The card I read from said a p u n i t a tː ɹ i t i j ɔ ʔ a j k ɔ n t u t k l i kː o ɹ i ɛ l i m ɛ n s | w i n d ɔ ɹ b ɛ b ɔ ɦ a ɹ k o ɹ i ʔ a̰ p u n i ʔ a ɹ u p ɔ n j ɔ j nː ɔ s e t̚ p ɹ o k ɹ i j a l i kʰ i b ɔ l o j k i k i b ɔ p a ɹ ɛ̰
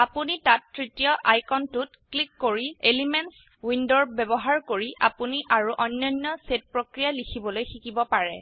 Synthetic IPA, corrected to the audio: a p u n i t a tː ɹ i t i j ɔ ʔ a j k ɔ n t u t k l i kː o ɹ i e l i m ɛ n s | w i n d ɔ ɹ b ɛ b ɔ ɦ a ɹ k o ɹ i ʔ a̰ p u n i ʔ a ɹ u ʔ ɔ n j ɔ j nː ɔ s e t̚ p ɹ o k ɹ i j a l i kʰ i b ɔ l o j x i k i b ɔ p a ɹ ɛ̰

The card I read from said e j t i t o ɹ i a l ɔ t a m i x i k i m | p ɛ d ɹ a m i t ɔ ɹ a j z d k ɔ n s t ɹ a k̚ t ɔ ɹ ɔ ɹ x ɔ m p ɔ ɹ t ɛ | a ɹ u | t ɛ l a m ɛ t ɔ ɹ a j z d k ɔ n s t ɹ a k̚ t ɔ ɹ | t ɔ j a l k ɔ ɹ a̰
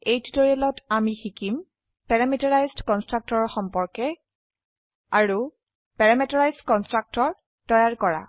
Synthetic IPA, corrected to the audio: e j t i t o ɹ i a l ɔ t a m i x i k i m | p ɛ ɹ a m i t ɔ ɹ a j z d k ɔ n s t ɹ a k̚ t ɔ ɹ ɔ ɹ x ɔ m p ɔ ɹ k ɛ | a ɹ u | p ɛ ɹ a m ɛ t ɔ ɹ a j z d k ɔ n s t ɹ a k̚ t ɔ ɹ | t ɔ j a ɹ k ɔ ɹ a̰

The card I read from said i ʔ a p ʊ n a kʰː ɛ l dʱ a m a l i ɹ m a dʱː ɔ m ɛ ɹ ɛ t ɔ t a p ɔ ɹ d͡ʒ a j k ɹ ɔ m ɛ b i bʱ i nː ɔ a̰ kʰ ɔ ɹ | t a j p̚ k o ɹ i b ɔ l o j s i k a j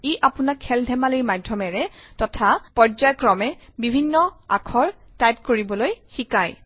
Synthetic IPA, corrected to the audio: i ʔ a p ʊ n a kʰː ɛ l dʱ ɛ m a l i ɹ m a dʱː ɔ m ɛ ɹ ɛ t ɔ tʰ a p ɔ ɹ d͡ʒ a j k ɹ ɔ m ɛ b i bʱ i nː ɔ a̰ kʰ ɔ ɹ | t a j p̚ k o ɹ i b ɔ l o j x i k a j

